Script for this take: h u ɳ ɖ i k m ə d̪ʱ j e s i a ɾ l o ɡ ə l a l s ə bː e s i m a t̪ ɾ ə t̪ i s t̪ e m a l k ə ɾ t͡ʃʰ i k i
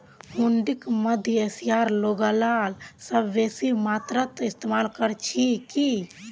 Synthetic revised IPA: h u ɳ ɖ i k m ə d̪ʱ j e s i a ɾ l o ɡ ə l a l s ə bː e s i m a t̪ ɾ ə t̪ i s t̪ e m a l k ə ɾ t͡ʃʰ i k i

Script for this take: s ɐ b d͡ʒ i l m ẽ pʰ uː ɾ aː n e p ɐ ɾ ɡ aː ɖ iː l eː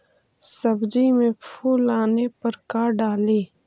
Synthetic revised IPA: s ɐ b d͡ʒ i m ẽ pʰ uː l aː n e p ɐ ɾ k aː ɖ aː l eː

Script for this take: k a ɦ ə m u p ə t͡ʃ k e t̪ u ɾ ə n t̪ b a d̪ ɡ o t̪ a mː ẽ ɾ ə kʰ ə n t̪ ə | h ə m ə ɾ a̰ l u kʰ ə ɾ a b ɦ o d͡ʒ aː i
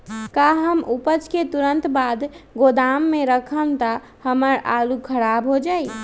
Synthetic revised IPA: k a ɦ ə m u p ə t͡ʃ k e t̪ u ɾ ə n t̪ b a d̪ ɡ o d̪ a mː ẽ ɾ ə kʰ ə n t̪ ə | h ə m ə ɾ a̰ l u kʰ ə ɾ a b ɦ o d͡ʒ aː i

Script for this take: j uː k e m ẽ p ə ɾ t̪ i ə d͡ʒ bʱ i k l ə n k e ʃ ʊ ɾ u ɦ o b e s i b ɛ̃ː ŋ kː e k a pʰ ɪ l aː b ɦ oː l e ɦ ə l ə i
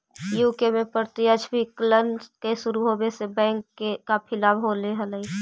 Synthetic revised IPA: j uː k e m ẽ p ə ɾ t̪ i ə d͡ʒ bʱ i k l ə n k e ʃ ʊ ɾ u ɦ o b e s e b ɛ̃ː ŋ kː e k a pʰ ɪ l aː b ɦ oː l e ɦ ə l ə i

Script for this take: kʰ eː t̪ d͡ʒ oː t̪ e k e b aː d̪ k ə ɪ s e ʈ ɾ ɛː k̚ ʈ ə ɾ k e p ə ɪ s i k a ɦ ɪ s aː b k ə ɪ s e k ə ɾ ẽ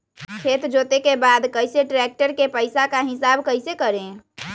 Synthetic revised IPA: kʰ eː t̪ d͡ʒ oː t̪ e k e b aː d̪ k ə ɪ s e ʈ ɾ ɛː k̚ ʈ ə ɾ k e p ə ɪ s a k a ɦ ɪ s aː b k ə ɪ s e k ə ɾ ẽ

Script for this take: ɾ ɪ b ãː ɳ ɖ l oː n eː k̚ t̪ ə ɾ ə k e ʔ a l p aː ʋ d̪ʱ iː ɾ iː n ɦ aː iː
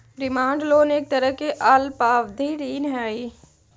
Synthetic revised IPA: ɾ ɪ m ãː ɳ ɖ l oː n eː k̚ t̪ ə ɾ ə k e ʔ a l p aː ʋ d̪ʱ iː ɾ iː n ɦ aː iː

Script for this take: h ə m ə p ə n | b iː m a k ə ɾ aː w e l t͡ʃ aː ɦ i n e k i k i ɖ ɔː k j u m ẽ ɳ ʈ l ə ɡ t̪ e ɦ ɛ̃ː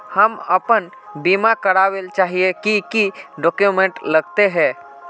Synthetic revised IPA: h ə m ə p ə n | b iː m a k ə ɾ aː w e l t͡ʃ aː ɦ i e k i k i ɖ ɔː k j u m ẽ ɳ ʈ l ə ɡ t̪ e ɦ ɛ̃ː

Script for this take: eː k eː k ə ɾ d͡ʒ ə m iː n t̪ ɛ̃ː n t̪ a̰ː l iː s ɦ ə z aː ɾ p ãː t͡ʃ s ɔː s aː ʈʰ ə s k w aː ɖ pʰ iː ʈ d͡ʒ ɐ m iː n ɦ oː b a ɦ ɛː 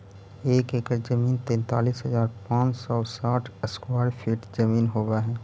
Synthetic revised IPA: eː k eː k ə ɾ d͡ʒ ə m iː n t̪ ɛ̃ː n t̪ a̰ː l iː s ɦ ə z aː ɾ p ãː t͡ʃ s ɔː s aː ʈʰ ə s k w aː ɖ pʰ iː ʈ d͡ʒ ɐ m iː n ɦ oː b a ɦ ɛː

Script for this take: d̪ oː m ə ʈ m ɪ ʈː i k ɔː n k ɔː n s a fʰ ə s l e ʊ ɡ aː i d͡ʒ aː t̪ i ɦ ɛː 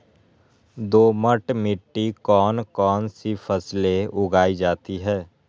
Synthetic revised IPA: d̪ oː m ə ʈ m ɪ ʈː i k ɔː n k ɔː n s i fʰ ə s l e ʊ ɡ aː i d͡ʒ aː t̪ i ɦ ɛː

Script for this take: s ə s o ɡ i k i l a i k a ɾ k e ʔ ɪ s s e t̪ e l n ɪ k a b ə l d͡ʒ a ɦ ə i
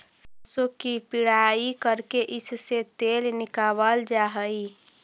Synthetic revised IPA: s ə s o k i p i ɽ a i k ə ɾ k e ʔ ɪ s s e t̪ e l n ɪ k a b ə l d͡ʒ a ɦ ə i

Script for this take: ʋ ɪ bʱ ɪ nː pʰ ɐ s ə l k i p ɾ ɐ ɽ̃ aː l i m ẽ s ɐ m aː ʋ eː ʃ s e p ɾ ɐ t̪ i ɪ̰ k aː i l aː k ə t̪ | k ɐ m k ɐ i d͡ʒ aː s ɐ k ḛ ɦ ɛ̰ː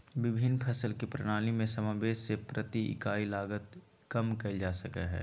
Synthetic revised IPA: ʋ ɪ bʱ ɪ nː pʰ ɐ s ə l k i p ɾ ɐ ɽ̃ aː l i m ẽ s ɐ m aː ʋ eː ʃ s e p ɾ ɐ t̪ i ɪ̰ k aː i l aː ɡ ə t̪ | k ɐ m k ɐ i d͡ʒ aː s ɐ k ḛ ɦ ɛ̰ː

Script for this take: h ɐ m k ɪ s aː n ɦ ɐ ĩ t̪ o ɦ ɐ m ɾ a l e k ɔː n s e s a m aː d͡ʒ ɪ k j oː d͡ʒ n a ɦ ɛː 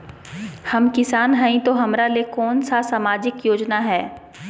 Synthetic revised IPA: h ɐ m k ɪ s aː n ɦ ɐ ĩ t̪ o ɦ ɐ m ɾ a l e k ɔː n s a s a m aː d͡ʒ ɪ k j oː d͡ʒ n a ɦ ɛː

